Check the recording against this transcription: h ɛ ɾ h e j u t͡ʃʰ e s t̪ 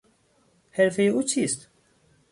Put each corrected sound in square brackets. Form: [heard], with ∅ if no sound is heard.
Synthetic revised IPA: h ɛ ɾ [f] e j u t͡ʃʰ [i] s t̪